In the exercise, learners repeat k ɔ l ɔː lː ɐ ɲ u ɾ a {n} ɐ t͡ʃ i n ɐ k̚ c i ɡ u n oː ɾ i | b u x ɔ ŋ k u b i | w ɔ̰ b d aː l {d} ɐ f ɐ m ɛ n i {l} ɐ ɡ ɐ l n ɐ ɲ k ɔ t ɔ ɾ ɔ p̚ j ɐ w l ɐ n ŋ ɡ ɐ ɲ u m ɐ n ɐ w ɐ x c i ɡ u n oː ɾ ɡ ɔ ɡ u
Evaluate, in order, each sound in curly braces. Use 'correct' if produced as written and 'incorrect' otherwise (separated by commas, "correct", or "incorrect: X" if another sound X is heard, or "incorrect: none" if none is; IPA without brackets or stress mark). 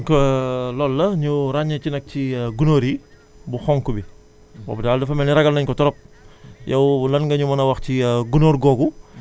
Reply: incorrect: ɲ, correct, incorrect: ɾ